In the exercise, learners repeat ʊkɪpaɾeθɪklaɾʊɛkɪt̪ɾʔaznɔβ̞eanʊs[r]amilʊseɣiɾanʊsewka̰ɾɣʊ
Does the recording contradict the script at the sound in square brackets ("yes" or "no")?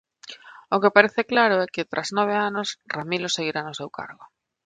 no